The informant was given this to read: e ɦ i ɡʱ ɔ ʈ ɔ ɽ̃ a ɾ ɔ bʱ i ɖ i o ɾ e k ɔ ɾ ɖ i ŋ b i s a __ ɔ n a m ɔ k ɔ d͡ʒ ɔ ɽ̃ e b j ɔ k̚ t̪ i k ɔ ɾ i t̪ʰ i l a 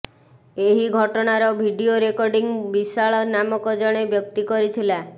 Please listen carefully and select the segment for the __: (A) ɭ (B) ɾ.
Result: A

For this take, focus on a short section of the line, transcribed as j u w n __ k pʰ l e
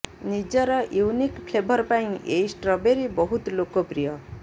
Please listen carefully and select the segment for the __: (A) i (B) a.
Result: A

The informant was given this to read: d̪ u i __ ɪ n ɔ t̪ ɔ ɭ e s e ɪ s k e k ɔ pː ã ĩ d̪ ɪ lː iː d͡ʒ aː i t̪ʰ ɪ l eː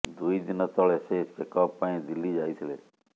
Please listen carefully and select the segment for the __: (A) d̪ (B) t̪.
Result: A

